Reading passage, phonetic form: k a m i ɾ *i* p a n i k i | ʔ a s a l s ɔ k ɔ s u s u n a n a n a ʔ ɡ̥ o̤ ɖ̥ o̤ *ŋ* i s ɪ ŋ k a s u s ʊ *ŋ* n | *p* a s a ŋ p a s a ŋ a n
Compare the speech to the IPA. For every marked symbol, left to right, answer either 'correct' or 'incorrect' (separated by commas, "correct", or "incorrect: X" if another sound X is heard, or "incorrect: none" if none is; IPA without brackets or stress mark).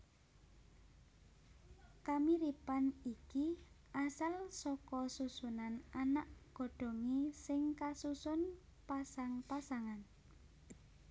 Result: correct, correct, incorrect: none, correct